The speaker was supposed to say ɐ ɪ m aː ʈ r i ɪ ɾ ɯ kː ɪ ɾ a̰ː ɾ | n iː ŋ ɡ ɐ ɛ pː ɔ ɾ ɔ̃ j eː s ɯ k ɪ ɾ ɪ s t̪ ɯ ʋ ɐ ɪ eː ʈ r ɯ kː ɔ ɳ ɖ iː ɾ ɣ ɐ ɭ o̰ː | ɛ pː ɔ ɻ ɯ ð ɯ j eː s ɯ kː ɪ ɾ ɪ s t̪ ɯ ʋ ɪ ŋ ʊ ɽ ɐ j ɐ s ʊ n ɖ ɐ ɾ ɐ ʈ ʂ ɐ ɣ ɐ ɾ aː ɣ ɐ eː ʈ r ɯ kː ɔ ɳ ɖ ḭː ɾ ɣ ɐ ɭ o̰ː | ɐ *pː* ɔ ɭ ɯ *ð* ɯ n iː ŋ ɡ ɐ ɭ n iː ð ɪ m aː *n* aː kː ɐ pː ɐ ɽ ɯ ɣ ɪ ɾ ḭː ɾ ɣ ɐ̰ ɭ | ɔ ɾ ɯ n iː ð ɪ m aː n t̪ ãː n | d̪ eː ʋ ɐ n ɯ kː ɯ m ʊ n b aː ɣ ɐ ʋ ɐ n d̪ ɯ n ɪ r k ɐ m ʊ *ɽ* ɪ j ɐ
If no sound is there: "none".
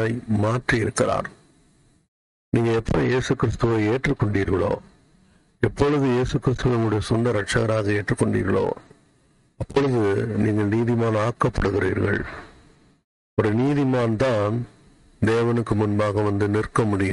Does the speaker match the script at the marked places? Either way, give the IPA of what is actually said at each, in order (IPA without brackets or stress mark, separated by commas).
pː, ð, n, ɽ